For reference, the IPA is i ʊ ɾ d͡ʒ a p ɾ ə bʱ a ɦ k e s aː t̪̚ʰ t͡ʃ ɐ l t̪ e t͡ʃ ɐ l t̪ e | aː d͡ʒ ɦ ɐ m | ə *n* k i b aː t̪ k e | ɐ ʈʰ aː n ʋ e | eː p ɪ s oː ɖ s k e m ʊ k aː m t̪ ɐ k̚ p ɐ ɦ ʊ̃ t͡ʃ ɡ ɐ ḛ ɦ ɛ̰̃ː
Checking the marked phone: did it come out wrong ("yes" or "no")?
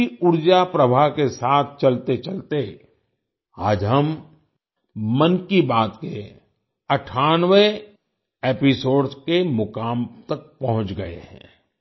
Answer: no